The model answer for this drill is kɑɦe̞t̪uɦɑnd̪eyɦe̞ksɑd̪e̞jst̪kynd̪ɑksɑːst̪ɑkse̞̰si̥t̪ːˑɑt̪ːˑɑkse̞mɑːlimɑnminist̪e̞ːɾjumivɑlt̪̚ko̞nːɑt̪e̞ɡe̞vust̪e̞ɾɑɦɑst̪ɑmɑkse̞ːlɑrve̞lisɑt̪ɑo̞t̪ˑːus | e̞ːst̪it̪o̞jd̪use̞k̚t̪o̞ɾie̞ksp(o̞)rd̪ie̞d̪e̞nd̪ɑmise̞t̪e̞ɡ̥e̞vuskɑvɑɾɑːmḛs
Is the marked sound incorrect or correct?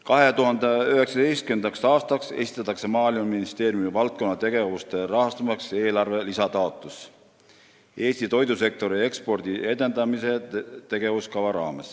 correct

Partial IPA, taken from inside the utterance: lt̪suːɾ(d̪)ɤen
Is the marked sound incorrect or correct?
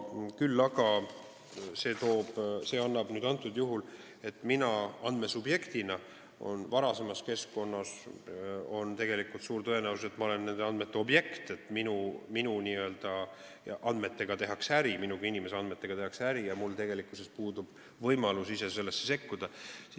incorrect: t̪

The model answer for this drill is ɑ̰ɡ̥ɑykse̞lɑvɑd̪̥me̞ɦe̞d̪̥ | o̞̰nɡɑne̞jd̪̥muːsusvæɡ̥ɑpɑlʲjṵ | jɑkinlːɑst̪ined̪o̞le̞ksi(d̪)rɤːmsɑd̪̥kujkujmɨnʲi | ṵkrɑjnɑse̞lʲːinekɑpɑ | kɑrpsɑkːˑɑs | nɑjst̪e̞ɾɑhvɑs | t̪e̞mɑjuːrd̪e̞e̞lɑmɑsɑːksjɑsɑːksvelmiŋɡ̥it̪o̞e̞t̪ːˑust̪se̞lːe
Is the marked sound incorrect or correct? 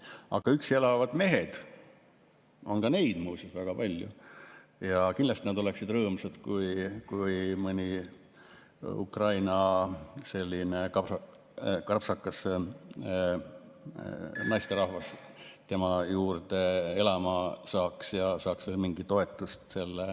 correct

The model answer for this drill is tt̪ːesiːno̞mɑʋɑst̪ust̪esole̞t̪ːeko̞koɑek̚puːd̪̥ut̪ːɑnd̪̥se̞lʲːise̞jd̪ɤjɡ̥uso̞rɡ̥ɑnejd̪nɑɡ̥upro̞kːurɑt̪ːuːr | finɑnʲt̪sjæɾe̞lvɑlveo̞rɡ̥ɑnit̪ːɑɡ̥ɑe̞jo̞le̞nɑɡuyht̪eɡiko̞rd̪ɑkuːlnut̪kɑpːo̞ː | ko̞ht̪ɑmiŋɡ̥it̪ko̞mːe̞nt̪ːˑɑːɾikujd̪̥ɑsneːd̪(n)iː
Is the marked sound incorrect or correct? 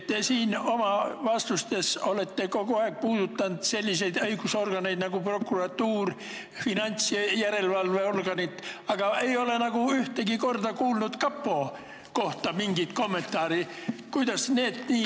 correct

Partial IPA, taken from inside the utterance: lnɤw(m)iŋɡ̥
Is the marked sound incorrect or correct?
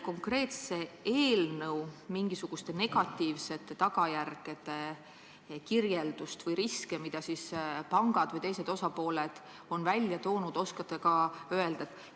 correct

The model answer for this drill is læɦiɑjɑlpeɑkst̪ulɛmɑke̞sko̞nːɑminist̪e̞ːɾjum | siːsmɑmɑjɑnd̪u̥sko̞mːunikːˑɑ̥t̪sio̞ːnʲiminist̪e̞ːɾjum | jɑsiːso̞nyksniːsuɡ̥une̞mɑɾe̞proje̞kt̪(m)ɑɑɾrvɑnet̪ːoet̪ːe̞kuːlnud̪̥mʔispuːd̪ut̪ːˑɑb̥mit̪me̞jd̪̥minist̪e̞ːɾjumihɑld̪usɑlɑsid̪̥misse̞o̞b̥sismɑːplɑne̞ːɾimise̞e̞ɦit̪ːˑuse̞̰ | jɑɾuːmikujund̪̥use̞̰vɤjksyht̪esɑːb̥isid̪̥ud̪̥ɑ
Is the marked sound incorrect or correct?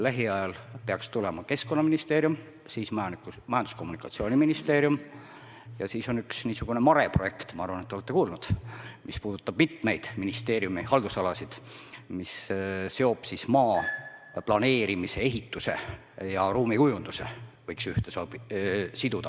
correct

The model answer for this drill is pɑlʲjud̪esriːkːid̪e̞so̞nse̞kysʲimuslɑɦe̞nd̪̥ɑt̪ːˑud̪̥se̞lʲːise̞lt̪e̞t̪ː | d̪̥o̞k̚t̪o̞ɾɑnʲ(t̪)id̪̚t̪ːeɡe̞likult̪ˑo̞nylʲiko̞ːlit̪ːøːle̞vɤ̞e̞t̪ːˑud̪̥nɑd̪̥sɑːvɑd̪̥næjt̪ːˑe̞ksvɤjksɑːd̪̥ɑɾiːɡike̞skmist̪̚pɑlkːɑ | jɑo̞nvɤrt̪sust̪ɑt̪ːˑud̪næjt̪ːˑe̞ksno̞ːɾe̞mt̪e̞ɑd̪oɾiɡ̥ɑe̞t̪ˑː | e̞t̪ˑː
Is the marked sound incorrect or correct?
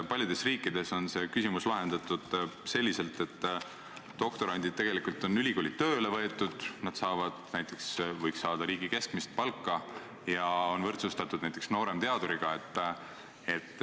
incorrect: d̪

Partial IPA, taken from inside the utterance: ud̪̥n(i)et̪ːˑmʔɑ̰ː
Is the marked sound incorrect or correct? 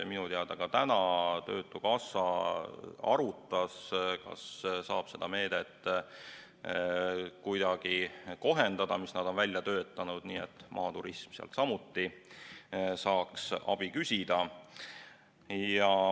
incorrect: iː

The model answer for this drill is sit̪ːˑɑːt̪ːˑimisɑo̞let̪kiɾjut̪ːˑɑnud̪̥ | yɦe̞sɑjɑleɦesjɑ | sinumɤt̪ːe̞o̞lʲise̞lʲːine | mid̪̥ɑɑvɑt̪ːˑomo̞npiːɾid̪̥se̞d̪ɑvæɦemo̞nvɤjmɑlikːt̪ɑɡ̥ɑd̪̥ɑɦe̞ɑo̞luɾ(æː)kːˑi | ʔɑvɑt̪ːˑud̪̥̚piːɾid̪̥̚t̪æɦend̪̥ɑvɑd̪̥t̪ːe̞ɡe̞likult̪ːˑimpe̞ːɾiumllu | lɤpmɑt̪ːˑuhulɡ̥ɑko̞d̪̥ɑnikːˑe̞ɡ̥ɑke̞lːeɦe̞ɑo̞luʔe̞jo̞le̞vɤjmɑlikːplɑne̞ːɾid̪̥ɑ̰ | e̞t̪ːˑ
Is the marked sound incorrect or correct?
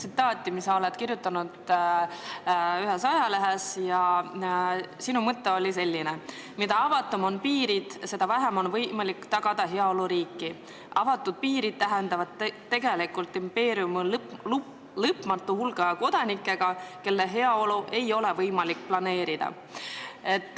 incorrect: iː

